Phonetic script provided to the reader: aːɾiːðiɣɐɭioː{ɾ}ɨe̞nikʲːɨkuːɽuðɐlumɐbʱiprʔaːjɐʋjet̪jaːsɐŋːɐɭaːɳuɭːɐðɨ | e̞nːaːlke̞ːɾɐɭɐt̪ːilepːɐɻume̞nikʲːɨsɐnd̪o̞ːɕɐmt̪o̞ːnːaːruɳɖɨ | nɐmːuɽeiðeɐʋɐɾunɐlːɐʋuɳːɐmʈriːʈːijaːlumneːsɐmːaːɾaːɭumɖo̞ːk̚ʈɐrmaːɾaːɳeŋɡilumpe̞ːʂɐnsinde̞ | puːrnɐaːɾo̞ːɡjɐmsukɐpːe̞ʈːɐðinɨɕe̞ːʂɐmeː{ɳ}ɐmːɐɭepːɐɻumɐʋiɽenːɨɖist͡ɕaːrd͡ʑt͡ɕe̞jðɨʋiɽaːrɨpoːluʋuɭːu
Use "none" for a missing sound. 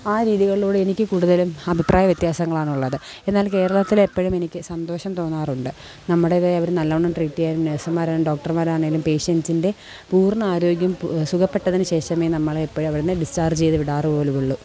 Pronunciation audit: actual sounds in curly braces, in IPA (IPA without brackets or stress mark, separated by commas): ɽ, n